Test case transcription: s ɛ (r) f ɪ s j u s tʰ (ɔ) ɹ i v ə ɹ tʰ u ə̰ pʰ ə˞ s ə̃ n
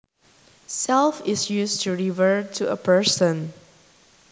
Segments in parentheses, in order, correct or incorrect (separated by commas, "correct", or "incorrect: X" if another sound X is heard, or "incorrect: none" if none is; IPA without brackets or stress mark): incorrect: l, incorrect: u